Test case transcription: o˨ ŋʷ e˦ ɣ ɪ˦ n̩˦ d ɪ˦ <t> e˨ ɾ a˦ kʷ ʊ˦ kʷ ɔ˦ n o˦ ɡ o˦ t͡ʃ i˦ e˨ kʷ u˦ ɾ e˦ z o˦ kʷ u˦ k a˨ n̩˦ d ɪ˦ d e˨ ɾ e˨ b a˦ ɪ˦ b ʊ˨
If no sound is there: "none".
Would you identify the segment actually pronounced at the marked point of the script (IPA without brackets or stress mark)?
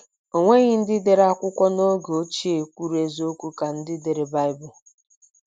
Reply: d